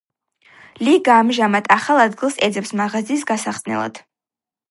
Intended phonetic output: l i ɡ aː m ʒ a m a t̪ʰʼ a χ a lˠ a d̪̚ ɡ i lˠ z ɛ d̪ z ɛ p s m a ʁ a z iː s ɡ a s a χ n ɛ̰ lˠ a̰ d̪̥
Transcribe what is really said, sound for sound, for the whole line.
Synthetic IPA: l i ɡ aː m ʒ a m a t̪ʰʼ a χ a lˠ a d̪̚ ɡ i lˠ s ɛ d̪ z ɛ p s m a ʁ a z iː s ɡ a s a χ n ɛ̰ lˠ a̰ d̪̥